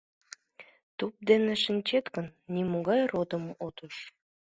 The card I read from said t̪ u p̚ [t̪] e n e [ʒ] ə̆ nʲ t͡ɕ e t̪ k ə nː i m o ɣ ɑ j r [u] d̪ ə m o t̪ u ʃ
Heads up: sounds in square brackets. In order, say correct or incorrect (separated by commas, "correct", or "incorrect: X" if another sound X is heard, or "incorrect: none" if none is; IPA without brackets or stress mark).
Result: incorrect: d̪, incorrect: ʃ, incorrect: o